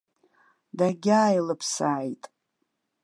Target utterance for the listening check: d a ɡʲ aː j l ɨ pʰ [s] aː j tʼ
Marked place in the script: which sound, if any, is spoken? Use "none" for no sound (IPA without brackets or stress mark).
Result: s